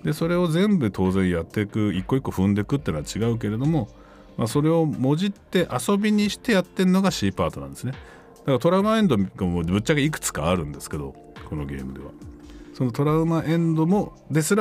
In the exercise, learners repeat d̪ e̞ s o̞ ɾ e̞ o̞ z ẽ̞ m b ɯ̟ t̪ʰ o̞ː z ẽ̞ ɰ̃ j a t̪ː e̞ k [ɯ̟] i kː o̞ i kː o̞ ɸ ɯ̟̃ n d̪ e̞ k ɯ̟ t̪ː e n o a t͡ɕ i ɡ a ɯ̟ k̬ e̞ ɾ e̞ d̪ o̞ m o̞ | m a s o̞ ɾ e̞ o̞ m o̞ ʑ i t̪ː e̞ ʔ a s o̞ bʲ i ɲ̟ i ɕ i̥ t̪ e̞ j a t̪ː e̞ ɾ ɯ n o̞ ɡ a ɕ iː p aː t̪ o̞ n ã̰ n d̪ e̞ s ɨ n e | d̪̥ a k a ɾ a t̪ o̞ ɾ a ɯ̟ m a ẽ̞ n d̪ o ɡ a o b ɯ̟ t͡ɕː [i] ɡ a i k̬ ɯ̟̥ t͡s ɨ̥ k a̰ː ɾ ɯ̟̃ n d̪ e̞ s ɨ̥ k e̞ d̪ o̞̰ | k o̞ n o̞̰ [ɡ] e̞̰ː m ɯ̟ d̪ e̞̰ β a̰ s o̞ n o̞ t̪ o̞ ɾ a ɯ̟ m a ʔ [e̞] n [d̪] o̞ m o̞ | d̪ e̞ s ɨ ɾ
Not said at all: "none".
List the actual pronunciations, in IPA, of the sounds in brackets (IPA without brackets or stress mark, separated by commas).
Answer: ɯ̟, a, ɡ, ẽ̞, d̪